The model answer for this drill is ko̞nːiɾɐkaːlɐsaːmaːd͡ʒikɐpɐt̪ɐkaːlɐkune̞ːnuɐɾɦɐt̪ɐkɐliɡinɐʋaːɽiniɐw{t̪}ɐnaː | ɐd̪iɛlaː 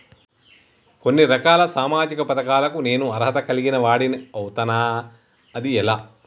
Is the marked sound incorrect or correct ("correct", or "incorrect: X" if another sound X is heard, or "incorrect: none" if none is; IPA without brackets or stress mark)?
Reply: correct